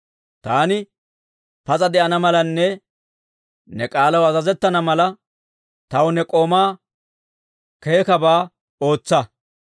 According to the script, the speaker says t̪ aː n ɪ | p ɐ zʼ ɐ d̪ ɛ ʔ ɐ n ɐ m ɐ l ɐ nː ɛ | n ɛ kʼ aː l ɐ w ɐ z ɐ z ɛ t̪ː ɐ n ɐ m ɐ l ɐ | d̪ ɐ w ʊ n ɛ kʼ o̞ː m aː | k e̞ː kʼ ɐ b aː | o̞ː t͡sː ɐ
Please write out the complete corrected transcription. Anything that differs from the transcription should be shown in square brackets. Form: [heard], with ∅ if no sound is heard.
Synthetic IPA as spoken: t̪ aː n ɪ | p ɐ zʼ ɐ d̪ ɛ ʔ ɐ n ɐ m ɐ l ɐ nː ɛ | n ɛ kʼ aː l ɐ w ɐ z ɐ z ɛ t̪ː ɐ n ɐ m ɐ l ɐ | [t̪] ɐ w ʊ n ɛ kʼ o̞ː m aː | k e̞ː [k] ɐ b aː | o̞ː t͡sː ɐ